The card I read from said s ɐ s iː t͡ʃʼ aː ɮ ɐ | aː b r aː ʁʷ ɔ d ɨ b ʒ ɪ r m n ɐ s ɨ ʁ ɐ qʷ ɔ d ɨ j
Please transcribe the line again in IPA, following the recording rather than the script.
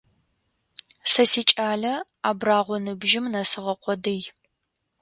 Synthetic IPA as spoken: s ɐ s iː t͡ʃʼ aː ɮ ɐ | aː b r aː ʁʷ ɔ n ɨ b ʒ ɪ m n ɐ s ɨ ʁ ɐ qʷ ɔ d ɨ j